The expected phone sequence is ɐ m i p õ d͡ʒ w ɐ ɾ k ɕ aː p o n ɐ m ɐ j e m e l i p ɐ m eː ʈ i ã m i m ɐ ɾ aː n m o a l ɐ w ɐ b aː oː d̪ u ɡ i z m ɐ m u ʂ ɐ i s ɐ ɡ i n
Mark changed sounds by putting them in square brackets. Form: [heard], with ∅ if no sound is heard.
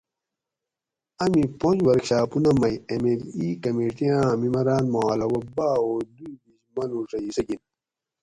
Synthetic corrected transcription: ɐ m i p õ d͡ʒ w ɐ ɾ k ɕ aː p [u] n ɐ m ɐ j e m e l i [k] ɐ m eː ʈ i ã m i m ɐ ɾ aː n m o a l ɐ w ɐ b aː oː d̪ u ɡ i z m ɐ [n] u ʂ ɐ i s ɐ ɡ i n

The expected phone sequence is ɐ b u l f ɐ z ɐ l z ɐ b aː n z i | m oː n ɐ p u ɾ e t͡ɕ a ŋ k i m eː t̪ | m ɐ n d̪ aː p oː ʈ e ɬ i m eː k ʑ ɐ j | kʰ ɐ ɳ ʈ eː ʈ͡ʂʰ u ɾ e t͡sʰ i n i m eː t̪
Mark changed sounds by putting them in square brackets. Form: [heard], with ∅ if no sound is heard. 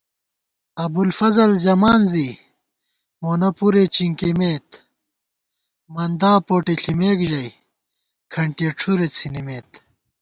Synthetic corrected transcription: ɐ b u l f ɐ z ɐ l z ɐ [m] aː n z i | m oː n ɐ p u ɾ e t͡ɕ [i] ŋ k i m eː t̪ | m ɐ n d̪ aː p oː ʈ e ɬ i m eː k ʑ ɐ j | kʰ ɐ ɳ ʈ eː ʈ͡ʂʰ u ɾ e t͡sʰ i n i m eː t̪

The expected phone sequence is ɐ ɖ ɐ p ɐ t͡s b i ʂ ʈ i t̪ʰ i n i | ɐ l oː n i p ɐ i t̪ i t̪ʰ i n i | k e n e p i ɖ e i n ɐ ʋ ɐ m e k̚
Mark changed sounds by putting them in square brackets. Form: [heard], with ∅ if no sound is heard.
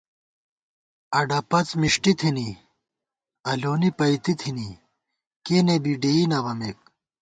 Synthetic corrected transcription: ɐ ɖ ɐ p ɐ t͡s [m] i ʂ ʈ i t̪ʰ i n i | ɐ l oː n i p ɐ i t̪ i t̪ʰ i n i | k e n e [b] i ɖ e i n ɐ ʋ ɐ m e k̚

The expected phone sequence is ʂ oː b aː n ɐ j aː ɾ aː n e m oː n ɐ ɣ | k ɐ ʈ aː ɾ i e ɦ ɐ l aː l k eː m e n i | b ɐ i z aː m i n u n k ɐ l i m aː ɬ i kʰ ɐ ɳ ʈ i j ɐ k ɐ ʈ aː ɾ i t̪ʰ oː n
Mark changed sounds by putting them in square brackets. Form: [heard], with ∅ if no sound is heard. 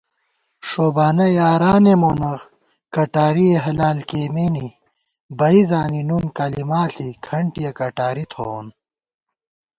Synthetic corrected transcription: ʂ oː b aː n ɐ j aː ɾ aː n e m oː n ɐ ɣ | k ɐ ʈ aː ɾ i e ɦ ɐ l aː l k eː m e n i | b ɐ i z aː [n] i n u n k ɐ l i m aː ɬ i kʰ ɐ ɳ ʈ i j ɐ k ɐ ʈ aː ɾ i t̪ʰ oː n

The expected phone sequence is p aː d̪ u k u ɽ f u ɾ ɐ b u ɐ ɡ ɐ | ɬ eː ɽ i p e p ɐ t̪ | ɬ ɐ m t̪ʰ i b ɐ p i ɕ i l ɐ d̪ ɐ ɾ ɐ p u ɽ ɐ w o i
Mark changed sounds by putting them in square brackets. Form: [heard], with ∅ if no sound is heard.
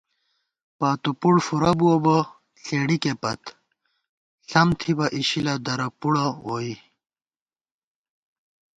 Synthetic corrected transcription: p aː [t̪] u [p] u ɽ f u ɾ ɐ b u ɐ [b] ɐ | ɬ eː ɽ i [k] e p ɐ t̪ | ɬ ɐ m t̪ʰ i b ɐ [ʔ] i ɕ i l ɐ d̪ ɐ ɾ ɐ p u ɽ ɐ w o i

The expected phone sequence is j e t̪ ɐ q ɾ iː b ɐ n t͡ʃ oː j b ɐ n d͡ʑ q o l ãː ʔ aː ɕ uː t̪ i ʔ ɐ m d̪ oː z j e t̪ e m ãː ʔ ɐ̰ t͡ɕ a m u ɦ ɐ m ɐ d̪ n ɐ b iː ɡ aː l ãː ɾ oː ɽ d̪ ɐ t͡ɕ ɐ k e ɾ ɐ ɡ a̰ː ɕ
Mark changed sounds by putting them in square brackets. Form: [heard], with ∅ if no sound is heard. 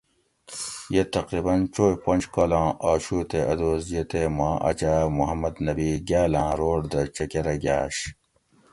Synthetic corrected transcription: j e t̪ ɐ q ɾ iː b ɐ n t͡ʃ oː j [p] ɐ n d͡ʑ [k] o l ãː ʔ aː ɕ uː t̪ [e] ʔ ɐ [∅] d̪ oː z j e t̪ e m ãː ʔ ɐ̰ t͡ɕ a m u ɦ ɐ m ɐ d̪ n ɐ b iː ɡ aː l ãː ɾ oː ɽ d̪ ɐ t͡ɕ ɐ k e ɾ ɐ ɡ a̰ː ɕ

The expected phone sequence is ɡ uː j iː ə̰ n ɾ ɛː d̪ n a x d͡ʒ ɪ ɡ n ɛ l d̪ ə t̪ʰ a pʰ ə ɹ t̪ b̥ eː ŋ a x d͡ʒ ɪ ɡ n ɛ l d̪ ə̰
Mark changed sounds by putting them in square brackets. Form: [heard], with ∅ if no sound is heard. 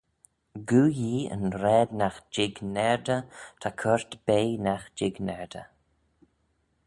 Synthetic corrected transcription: ɡ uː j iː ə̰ n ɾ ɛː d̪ n a x d͡ʒ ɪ ɡ n ɛ [ɹ] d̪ ə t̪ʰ a [kʰ] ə ɹ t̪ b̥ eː [n] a x d͡ʒ ɪ ɡ n ɛ [ɹ] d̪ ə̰

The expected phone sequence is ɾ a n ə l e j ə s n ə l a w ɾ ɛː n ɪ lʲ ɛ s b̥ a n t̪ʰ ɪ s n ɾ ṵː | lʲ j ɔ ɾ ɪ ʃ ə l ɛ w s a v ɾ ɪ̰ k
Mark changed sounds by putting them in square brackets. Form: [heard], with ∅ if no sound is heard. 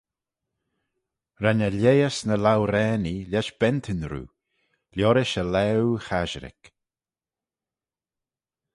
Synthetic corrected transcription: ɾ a n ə l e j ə s n ə l a w ɾ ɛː n [i] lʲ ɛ [ʃ] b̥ [ɛ] n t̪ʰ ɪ [∅] n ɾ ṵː | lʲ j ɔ ɾ ɪ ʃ ə l ɛ w [x] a [ʒ] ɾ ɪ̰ k

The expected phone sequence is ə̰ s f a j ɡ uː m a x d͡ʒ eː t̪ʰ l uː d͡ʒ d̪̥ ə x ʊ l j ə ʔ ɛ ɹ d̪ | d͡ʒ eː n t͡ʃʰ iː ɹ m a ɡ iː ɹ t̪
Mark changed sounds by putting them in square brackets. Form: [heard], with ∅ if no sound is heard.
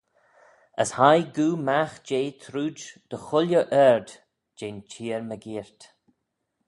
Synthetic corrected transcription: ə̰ s [h] a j ɡ uː m a x d͡ʒ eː t̪ʰ [ɾ] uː d͡ʒ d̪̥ ə x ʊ l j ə ʔ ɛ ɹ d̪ | d͡ʒ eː n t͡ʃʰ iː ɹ m [ə] ɡ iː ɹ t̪

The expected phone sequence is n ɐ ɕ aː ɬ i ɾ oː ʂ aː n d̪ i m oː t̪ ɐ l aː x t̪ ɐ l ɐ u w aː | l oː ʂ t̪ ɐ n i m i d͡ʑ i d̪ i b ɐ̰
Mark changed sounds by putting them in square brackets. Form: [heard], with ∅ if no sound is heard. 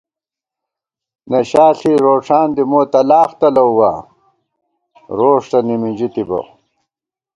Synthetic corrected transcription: n ɐ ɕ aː ɬ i ɾ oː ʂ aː n d̪ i m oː t̪ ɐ l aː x t̪ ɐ l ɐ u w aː | [ɾ] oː ʂ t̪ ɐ n i m i d͡ʑ i [t̪] i b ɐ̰

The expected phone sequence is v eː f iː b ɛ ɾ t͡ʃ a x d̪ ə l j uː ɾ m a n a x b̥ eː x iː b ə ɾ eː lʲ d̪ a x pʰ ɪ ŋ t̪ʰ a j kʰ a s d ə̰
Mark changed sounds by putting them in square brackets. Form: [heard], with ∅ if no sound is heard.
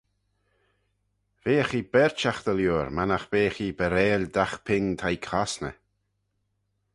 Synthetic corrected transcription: v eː [x] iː b ɛ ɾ t͡ʃ a x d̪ ə l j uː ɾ m a n a x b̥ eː x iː b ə ɾ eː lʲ d̪ a x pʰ ɪ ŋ t̪ʰ a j kʰ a s [n] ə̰

